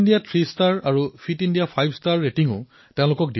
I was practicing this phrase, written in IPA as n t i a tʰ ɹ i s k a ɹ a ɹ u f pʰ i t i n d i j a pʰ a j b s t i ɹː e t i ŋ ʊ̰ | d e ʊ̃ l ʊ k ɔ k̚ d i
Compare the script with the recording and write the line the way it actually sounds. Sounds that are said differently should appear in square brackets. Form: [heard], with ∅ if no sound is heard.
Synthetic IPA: n [d] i a tʰ ɹ i s [t] a ɹ a ɹ u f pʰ i t i n d i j a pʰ a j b s t [a] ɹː e t i ŋ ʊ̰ | [t] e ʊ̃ l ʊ k ɔ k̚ d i